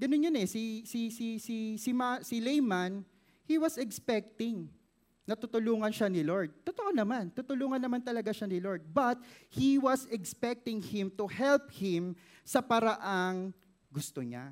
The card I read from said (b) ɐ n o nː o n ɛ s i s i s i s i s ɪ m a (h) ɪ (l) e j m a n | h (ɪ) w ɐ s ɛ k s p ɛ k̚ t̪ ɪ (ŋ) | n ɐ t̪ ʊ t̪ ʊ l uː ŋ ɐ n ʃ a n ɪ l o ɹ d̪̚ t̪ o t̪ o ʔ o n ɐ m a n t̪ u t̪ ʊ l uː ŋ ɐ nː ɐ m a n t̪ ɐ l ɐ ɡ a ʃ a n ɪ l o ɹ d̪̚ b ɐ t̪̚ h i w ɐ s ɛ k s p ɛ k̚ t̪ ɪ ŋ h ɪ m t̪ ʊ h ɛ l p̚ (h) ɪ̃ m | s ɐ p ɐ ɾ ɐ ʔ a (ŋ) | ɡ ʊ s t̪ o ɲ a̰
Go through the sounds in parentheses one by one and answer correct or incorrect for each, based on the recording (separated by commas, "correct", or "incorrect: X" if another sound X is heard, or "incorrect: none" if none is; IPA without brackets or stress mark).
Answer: incorrect: ɡ, incorrect: s, correct, incorrect: i, correct, correct, correct